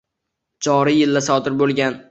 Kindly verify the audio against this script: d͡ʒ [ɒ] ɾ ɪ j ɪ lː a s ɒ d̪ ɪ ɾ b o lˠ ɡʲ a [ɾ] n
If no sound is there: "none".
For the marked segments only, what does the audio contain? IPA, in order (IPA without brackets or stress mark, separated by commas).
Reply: ɒ, none